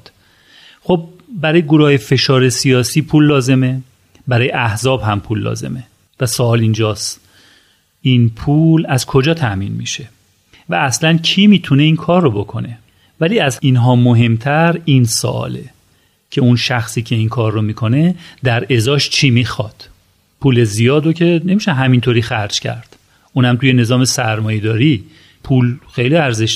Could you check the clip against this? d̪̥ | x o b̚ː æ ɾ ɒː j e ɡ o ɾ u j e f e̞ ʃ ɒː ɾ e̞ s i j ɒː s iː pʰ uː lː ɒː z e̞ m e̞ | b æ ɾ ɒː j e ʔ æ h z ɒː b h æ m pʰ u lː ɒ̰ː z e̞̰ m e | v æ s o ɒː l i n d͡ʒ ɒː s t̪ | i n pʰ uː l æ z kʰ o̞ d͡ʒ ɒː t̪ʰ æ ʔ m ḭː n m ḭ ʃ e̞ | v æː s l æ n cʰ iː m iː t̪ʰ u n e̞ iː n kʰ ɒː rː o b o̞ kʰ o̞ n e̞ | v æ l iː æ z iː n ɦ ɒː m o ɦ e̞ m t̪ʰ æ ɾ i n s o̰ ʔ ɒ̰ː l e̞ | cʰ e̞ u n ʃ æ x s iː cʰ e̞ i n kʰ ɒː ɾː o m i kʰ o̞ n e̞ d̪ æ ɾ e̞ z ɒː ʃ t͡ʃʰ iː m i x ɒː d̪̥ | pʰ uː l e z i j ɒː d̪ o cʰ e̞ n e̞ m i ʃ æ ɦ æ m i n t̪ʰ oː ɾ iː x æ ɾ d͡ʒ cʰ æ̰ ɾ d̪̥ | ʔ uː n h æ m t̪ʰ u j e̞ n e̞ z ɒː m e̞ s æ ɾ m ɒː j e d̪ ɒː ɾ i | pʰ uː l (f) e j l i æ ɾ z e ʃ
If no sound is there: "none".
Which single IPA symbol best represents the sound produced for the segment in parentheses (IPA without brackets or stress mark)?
x